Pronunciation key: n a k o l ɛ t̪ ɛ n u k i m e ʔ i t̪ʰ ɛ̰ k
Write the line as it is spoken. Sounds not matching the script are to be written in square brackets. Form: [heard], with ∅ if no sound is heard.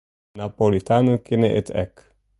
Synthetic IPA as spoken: n a [p] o l [i] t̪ [a] n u k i [n] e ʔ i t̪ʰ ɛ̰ k